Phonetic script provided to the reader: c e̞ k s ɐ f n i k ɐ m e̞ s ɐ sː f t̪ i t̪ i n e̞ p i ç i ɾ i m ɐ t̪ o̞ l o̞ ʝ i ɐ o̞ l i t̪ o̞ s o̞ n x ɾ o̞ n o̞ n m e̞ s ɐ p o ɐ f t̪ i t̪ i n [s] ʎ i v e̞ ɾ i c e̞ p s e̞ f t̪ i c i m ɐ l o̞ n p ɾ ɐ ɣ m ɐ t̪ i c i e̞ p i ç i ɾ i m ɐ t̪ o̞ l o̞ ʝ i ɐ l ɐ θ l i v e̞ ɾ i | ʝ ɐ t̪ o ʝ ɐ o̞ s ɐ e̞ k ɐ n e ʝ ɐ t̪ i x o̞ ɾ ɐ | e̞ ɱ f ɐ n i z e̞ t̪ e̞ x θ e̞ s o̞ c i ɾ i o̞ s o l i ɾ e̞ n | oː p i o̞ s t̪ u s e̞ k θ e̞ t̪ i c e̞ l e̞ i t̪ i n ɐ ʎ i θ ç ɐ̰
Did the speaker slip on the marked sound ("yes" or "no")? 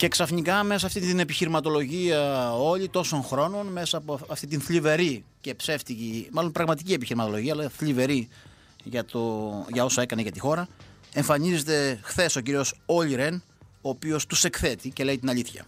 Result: yes